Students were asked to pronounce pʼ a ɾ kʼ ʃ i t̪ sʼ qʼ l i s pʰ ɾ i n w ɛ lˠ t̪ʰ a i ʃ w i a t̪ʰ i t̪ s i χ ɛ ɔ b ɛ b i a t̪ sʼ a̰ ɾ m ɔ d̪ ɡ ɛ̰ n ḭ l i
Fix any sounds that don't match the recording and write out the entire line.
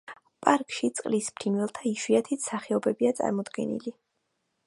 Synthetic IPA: pʼ a ɾ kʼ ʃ i t̪ sʼ qʼ l i s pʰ ɾ i n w ɛ lˠ t̪ʰ a i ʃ w i a t̪ʰ i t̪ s a χ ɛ ɔ b ɛ b i a t̪ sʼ a̰ ɾ m ɔ d̪ ɡ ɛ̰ n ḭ l i